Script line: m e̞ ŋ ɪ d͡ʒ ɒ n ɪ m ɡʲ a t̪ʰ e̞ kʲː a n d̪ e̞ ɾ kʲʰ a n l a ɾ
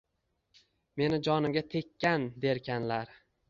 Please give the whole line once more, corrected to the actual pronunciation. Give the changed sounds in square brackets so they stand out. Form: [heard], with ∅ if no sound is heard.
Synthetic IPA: m e̞ [n] ɪ d͡ʒ ɒ n ɪ m ɡʲ a t̪ʰ e̞ kʲː a n d̪ e̞ ɾ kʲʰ a n l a ɾ